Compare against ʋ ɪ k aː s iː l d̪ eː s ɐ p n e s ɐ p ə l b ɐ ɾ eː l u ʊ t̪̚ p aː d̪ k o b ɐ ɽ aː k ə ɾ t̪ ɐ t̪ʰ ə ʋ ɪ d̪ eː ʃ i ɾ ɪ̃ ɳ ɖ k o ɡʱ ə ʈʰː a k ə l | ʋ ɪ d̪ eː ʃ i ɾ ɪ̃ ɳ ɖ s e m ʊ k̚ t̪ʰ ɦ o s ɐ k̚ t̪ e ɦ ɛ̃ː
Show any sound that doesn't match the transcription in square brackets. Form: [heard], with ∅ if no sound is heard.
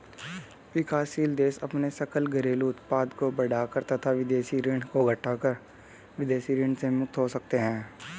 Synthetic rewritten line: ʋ ɪ k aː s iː l d̪ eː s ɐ p n e s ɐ [k] ə l [ɡ] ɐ ɾ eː l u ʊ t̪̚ p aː d̪ k o b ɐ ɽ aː k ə ɾ t̪ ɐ t̪ʰ [a] ʋ ɪ d̪ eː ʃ i ɾ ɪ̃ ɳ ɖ k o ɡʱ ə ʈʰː a k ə [ɾ] | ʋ ɪ d̪ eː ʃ i ɾ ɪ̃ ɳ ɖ s e m ʊ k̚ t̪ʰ ɦ o s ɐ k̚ t̪ e ɦ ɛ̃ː

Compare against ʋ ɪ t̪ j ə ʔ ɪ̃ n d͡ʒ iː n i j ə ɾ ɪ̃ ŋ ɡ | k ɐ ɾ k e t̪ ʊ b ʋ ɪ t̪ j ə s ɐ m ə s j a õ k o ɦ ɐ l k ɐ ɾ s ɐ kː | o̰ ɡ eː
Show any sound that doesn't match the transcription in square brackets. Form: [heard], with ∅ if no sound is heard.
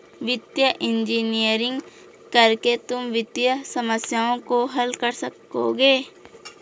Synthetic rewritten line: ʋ ɪ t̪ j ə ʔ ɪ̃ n d͡ʒ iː n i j ə ɾ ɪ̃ ŋ ɡ | k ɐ ɾ k e t̪ ʊ [m] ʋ ɪ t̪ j ə s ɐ m ə s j a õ k o ɦ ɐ l k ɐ ɾ s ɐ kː | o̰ ɡ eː

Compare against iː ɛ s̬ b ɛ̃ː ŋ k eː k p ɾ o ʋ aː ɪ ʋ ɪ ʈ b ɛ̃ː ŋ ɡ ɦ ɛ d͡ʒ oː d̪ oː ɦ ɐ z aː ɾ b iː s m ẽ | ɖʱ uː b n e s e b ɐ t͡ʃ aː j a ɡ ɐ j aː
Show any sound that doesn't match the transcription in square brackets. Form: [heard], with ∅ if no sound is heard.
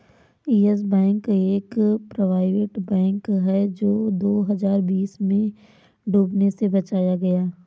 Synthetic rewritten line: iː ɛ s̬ b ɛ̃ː ŋ k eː k p ɾ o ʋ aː ɪ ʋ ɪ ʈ b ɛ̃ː ŋ [k] ɦ ɛ d͡ʒ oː d̪ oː ɦ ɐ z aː ɾ b iː s m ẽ | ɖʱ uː b n e s e b ɐ t͡ʃ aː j a ɡ ɐ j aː

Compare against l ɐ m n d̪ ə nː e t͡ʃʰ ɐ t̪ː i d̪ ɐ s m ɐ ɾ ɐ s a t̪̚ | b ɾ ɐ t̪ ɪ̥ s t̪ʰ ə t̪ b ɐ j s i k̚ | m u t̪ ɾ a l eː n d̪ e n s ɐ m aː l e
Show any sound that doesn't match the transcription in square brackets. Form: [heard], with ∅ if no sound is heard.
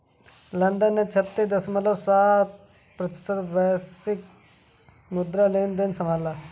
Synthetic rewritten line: l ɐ [∅] n d̪ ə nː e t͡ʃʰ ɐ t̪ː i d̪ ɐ s m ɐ [l] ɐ s a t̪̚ | [p] ɾ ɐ t̪ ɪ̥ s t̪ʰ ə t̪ b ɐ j s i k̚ | m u [d̪] ɾ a l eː n d̪ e n s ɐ m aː l [a]

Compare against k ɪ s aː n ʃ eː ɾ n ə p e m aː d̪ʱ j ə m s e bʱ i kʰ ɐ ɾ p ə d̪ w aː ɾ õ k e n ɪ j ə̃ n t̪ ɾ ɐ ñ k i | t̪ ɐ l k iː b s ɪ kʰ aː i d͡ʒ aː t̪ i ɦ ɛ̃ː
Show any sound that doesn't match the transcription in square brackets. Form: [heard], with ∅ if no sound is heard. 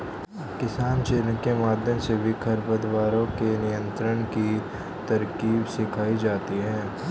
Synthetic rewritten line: k ɪ s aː n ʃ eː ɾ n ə [k] e m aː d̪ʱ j ə m s e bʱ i kʰ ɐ ɾ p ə d̪ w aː ɾ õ k e n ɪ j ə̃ n t̪ ɾ [ə] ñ k i | t̪ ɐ [ɾ] k iː b s ɪ kʰ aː i d͡ʒ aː t̪ i ɦ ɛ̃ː

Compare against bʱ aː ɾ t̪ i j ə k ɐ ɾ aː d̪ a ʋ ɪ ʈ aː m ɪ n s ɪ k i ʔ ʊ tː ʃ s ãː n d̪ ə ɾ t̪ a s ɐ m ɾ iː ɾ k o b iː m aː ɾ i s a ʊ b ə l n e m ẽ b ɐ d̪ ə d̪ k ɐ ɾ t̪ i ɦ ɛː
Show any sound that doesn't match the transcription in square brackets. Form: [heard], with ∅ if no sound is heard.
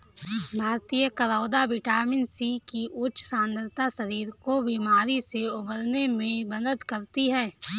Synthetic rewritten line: bʱ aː ɾ t̪ i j ə k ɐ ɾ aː d̪ a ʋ ɪ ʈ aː m ɪ n s [i] k i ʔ ʊ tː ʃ s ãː n d̪ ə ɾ t̪ a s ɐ [∅] ɾ iː ɾ k o b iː m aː ɾ i s [e] ʊ b ə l n e m ẽ b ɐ d̪ ə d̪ k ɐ ɾ t̪ i ɦ ɛː

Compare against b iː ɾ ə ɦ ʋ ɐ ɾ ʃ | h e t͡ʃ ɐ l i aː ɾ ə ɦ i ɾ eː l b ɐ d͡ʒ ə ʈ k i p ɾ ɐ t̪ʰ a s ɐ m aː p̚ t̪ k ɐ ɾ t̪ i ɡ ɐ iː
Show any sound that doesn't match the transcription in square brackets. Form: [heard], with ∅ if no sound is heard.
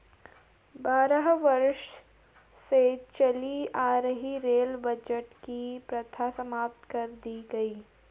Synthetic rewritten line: b [aː] ɾ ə ɦ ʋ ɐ ɾ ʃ | [s] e t͡ʃ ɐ l i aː ɾ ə ɦ i ɾ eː l b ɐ d͡ʒ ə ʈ k i p ɾ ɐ t̪ʰ a s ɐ m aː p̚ t̪ k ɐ ɾ [d̪] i ɡ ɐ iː

